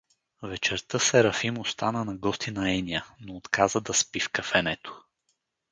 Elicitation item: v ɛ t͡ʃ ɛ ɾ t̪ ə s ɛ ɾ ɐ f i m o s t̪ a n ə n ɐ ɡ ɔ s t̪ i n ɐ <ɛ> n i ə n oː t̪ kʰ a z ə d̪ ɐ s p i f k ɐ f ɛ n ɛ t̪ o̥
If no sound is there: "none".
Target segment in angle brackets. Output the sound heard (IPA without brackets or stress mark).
ɛ